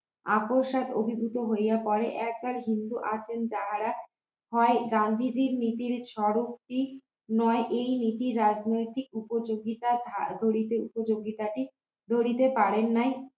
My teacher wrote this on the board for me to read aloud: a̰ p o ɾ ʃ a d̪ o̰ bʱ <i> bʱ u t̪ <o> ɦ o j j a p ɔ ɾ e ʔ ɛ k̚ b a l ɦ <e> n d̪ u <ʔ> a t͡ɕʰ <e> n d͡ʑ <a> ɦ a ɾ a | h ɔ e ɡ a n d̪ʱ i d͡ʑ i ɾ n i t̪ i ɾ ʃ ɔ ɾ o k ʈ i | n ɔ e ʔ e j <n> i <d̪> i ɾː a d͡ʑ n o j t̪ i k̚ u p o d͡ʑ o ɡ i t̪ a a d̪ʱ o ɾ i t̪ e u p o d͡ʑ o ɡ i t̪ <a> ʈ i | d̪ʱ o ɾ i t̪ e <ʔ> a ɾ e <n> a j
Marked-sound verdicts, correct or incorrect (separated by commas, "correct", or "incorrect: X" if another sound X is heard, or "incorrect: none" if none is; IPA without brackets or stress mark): correct, correct, incorrect: i, correct, correct, correct, correct, incorrect: t̪, correct, incorrect: p, incorrect: nː